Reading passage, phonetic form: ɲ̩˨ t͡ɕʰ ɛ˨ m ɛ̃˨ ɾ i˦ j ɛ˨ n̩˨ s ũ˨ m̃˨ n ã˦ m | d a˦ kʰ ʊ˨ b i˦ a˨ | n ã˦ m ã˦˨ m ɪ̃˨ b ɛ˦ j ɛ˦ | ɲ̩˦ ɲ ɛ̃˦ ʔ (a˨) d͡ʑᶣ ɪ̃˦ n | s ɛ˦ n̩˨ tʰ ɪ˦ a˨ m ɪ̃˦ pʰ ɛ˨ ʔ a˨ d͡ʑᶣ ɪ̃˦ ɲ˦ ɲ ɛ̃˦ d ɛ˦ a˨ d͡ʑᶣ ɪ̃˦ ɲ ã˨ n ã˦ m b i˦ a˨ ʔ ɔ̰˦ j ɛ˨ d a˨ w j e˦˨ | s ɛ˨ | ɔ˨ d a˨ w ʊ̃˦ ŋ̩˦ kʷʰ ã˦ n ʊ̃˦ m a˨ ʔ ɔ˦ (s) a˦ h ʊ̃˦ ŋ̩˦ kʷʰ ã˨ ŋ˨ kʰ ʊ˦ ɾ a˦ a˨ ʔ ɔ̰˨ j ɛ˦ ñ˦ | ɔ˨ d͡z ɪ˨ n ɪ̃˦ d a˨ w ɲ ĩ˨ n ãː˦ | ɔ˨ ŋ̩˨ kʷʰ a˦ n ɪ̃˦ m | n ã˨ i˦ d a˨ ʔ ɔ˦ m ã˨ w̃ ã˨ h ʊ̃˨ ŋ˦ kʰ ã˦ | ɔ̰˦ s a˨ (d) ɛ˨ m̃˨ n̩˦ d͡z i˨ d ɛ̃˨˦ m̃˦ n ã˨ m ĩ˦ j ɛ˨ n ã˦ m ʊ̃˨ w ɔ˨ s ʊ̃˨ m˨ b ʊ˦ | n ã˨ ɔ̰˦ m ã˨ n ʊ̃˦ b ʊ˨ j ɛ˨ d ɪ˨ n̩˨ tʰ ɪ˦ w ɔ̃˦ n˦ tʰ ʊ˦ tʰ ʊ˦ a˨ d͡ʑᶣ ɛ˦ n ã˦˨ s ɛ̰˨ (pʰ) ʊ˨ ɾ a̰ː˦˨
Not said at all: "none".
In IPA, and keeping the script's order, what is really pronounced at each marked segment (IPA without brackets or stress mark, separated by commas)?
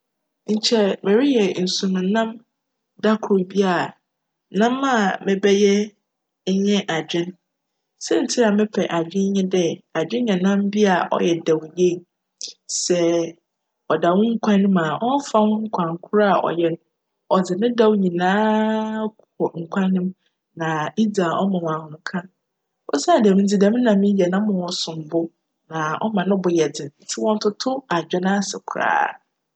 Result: a˨, f, d, kʰ